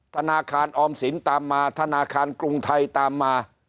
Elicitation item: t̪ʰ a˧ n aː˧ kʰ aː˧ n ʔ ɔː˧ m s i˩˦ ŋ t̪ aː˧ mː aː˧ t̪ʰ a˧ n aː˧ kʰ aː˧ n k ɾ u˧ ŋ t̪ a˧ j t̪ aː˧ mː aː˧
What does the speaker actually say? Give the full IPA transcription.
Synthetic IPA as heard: t̪ʰ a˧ n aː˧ kʰ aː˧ n ʔ ɔː˧ m s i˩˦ n t̪ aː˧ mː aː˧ t̪ʰ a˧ n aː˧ kʰ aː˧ n k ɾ u˧ ŋ t̪ʰ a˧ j t̪ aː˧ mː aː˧

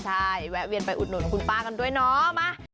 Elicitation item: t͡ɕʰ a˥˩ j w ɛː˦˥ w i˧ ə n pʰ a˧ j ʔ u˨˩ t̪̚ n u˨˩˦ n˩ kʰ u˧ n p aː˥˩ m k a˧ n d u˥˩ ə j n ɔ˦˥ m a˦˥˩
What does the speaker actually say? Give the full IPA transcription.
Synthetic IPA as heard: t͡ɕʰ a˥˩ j w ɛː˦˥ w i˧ ə n p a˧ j ʔ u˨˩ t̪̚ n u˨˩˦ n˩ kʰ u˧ n p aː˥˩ k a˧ n d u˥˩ ə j n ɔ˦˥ m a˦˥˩

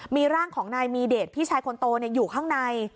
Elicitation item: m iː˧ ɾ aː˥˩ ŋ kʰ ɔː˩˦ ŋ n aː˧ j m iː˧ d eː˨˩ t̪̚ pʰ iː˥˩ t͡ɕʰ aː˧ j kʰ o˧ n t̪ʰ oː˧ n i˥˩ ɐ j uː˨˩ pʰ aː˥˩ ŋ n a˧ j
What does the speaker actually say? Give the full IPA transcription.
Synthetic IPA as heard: m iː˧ ɾ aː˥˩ ŋ kʰ ɔː˩˦ ŋ n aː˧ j m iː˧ d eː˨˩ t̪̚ pʰ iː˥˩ t͡ɕʰ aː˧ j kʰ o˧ n t̪ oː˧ n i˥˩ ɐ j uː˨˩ kʰ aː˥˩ ŋ n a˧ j

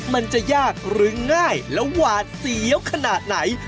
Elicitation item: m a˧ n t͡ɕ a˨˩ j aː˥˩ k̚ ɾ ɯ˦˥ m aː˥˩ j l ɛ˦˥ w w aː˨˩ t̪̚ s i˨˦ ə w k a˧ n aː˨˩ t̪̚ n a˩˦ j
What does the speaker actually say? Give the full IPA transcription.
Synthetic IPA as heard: m a˧ n t͡ɕ a˨˩ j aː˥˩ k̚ ɾ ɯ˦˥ ŋ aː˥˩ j l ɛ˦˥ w w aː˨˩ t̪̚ s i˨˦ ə w kʰ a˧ n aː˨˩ t̪̚ n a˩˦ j

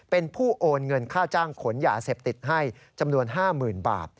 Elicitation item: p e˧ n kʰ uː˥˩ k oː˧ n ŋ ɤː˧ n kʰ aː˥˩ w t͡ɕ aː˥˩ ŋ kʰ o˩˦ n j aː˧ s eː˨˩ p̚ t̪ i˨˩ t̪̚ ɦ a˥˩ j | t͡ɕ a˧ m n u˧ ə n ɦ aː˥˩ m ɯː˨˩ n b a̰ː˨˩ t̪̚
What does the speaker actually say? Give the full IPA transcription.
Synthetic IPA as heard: p e˧ n pʰ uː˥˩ ʔ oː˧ n ŋ ɤ˧ n kʰ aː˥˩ w t͡ɕ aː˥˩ ŋ kʰ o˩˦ n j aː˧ s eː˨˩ p̚ t̪ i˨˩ t̪̚ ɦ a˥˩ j | t͡ɕ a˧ m n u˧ ə n ɦ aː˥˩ m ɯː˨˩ n b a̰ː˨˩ t̪̚

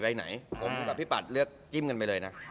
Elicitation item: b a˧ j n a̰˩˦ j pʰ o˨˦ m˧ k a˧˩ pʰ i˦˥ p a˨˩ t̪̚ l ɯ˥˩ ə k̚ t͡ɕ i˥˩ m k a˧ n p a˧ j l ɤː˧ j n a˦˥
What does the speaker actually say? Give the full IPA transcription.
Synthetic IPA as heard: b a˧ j n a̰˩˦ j pʰ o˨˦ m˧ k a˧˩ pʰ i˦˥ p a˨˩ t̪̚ l ɯ˥˩ ə k̚ t͡ɕ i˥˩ m k a˧ n p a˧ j l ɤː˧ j n a˦˥

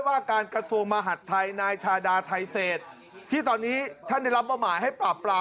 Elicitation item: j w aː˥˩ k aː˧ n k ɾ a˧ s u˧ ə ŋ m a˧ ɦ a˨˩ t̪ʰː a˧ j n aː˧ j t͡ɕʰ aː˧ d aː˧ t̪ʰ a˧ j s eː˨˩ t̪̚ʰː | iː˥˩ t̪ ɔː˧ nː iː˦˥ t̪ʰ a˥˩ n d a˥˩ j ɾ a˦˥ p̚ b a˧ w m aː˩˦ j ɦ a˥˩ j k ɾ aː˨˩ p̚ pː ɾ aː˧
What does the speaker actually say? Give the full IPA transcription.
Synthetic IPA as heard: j w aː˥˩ k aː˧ n k ɾ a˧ s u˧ ə ŋ m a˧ ɦ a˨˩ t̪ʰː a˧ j n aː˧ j t͡ɕʰ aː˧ d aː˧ t̪ʰ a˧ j s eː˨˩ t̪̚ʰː | iː˥˩ t̪ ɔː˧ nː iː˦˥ t̪ʰ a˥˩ n d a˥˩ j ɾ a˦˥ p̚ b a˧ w m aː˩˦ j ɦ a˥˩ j p ɾ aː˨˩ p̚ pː ɾ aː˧

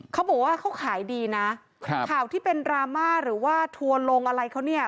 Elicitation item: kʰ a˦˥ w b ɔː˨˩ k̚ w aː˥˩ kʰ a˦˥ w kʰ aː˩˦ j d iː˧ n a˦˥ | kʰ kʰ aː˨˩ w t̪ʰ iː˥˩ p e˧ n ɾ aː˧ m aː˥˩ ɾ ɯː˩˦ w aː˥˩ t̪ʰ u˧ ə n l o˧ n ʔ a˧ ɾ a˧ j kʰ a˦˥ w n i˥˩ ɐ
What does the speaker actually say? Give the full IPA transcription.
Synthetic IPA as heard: kʰ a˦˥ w b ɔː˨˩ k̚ w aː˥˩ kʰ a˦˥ w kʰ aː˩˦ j d iː˧ n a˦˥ | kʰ kʰ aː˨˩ w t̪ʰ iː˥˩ p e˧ n ɾ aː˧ m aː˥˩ ɾ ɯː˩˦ w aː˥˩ t̪ʰ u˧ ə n l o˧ ŋ ʔ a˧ ɾ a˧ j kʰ a˦˥ w n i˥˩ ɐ

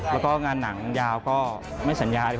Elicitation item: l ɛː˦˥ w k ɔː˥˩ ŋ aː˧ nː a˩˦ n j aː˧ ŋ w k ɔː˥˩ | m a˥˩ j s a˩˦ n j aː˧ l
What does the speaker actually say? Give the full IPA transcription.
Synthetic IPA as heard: l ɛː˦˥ w k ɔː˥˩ ŋ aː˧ nː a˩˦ ŋ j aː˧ w k ɔː˥˩ | m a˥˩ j s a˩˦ n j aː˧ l

